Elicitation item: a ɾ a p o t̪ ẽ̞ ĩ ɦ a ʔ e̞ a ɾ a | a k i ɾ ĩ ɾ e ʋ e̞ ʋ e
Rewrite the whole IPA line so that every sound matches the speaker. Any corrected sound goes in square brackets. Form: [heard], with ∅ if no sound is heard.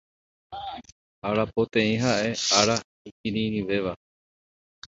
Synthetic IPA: a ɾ a p o t̪ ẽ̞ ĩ ɦ a ʔ e̞ a ɾ a | [i] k i ɾ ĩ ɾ [i] ʋ e̞ ʋ [a]